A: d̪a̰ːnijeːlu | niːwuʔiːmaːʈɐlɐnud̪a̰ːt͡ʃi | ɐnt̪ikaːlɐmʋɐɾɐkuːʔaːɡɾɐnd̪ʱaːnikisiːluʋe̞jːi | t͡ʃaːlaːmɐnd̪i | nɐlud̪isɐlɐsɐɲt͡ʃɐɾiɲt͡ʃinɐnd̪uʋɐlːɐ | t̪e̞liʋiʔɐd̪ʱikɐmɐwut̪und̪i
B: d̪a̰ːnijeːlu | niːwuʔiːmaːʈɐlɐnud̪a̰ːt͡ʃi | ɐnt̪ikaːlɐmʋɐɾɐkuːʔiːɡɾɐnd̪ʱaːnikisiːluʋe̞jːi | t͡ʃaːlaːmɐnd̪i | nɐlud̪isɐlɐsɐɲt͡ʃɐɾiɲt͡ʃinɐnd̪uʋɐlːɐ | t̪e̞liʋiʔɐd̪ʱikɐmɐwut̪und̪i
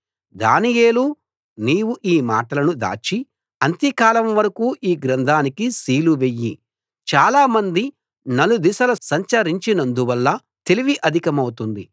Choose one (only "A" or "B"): B